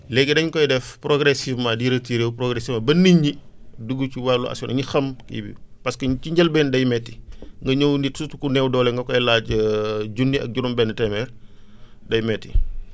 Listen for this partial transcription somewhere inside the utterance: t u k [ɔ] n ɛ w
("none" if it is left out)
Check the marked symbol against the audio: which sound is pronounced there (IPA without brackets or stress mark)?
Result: u